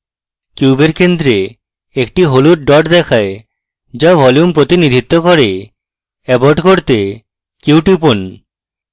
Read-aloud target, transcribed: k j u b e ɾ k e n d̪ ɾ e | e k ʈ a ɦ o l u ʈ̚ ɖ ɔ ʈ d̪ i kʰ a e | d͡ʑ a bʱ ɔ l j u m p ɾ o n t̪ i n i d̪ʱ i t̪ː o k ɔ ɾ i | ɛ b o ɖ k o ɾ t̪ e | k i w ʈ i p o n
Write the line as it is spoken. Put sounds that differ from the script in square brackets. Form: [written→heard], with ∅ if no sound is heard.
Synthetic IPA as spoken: k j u b e ɾ k e n d̪ ɾ e | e k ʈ [a→i] ɦ o l u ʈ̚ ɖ ɔ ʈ d̪ [i→ɛ] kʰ a e | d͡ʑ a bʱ ɔ l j u m p ɾ o [n→∅] t̪ i n i d̪ʱ i t̪ː o k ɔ ɾ [i→e] | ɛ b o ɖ k o ɾ t̪ e | k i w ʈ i p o n